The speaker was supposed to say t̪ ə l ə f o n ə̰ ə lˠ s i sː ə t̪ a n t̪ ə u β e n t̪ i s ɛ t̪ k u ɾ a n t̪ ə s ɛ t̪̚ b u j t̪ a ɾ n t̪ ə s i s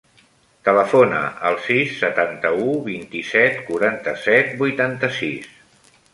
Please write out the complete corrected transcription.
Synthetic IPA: t̪ ə l ə f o n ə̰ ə lˠ s i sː ə t̪ a n t̪ ə u β i n t̪ i s ɛ t̪ k u ɾ a n t̪ ə s ɛ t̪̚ b u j t̪ a n t̪ ə s i s